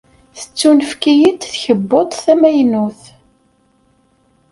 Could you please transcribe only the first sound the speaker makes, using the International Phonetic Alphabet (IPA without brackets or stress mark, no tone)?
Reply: θ